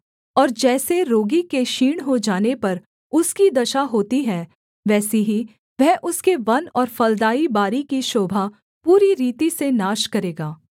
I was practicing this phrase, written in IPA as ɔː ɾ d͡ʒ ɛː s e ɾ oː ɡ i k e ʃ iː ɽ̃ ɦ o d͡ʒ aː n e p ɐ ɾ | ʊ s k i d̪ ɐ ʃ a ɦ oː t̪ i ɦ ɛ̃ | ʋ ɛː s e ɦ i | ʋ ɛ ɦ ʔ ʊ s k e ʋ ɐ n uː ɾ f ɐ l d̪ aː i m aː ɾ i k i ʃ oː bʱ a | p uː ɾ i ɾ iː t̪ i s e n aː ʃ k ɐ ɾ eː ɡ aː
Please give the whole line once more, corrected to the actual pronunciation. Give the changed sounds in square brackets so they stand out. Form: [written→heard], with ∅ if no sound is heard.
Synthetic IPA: ɔː ɾ d͡ʒ ɛː s e ɾ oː ɡ i k e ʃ iː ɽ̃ ɦ o d͡ʒ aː n e p ɐ ɾ | ʊ s k i d̪ ɐ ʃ a ɦ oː t̪ i ɦ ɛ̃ | ʋ ɛː s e ɦ i | ʋ ɛ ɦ ʔ ʊ s k e ʋ ɐ n [uː→ɔː] ɾ f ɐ l d̪ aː i [m→b] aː ɾ i k i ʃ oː bʱ a | p uː ɾ i ɾ iː t̪ i s e n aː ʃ k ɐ ɾ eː ɡ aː